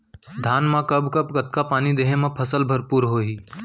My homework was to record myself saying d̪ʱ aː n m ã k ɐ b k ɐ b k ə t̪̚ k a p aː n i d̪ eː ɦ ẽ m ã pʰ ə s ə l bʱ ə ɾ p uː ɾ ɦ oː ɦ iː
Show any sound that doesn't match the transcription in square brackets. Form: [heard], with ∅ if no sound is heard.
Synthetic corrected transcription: d̪ʱ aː n m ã k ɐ b k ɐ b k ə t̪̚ k a p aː n i d̪ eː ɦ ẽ m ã pʰ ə s ə l bʱ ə ɾ p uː ɾ ɦ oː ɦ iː